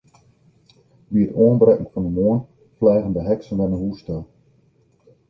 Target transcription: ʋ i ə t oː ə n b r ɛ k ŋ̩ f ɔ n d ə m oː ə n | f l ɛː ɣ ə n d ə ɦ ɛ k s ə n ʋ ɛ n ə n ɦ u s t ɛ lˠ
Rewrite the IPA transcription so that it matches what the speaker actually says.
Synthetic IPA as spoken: ʋ i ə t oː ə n b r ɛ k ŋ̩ f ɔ n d ə m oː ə n | f l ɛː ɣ ə n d ə ɦ ɛ k s ə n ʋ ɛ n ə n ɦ u s t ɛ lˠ